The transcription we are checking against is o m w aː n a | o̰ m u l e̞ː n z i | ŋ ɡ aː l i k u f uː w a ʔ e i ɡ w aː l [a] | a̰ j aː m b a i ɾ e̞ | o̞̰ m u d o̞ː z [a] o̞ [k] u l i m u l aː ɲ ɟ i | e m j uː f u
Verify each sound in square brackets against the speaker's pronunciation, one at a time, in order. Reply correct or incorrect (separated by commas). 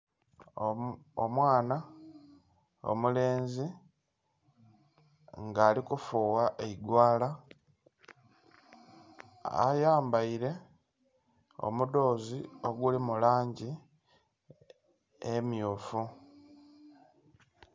correct, incorrect, incorrect